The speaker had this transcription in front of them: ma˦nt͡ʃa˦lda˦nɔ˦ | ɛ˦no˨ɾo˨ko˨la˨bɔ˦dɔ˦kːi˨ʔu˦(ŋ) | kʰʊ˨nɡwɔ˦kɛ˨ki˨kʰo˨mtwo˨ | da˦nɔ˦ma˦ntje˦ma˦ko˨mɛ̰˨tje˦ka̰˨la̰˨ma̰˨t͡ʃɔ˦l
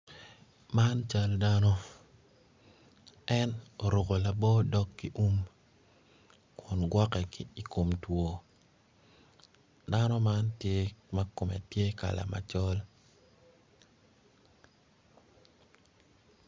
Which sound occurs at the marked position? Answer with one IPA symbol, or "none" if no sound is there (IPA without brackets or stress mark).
m